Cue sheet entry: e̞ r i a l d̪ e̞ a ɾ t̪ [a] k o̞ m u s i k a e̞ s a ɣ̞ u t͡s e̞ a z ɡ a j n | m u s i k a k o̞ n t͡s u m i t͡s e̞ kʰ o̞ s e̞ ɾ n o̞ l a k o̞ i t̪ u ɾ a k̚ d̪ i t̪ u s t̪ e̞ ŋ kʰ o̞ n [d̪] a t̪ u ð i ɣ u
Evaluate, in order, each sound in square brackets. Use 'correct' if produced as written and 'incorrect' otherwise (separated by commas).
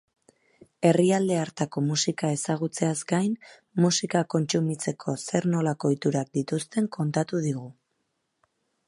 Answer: correct, incorrect